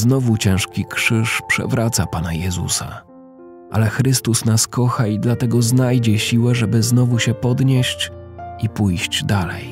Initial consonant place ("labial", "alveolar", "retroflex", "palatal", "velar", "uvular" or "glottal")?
alveolar